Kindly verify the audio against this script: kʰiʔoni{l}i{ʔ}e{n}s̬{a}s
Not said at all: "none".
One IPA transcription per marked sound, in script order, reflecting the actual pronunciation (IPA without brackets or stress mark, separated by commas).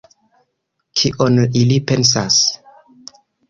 l, p, n, a